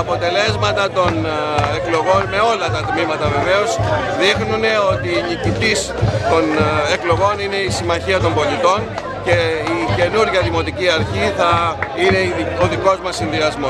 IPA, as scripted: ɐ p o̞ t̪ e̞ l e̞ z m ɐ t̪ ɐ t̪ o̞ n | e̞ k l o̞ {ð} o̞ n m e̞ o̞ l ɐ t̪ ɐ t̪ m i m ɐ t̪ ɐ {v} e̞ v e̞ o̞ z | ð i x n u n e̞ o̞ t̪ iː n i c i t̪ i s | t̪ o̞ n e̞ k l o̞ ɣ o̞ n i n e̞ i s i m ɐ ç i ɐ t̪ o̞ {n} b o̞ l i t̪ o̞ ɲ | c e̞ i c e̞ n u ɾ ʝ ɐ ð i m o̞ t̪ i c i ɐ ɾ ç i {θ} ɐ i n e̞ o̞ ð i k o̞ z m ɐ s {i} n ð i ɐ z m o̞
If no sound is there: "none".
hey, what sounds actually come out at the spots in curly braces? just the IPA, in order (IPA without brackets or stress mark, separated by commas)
ɣ, v, m, θ, i